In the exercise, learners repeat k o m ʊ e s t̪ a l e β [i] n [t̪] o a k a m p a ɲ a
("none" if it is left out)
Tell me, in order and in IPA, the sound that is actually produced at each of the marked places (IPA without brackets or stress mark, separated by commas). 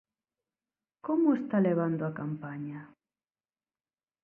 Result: a, d̪